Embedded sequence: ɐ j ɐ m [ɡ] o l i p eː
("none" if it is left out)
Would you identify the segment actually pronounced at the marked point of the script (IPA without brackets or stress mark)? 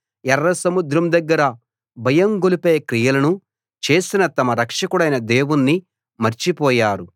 ɡ